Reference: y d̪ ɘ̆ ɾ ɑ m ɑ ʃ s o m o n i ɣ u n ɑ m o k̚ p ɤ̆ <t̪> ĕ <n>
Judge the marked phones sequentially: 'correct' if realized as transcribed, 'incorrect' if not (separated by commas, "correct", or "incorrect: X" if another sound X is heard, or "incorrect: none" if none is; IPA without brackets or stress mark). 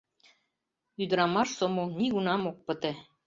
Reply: correct, incorrect: none